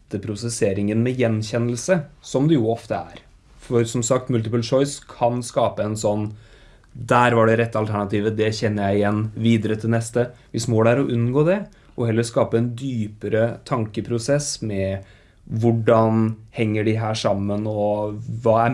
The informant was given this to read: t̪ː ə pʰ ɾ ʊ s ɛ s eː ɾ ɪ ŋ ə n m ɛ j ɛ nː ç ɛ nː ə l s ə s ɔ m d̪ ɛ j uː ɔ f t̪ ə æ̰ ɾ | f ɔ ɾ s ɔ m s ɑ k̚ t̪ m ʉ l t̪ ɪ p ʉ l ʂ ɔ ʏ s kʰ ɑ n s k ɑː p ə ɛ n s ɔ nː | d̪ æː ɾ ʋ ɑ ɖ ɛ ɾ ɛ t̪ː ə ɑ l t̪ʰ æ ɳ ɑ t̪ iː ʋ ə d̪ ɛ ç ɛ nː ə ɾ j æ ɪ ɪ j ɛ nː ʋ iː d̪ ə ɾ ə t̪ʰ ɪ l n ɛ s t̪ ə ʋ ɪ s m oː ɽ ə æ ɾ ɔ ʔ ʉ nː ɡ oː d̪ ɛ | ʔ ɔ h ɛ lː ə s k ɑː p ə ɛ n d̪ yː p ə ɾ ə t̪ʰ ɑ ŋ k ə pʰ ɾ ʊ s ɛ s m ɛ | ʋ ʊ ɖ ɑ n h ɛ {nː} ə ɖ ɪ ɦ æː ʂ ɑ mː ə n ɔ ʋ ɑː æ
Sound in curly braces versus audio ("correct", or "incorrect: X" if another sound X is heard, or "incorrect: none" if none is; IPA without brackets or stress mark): incorrect: ŋː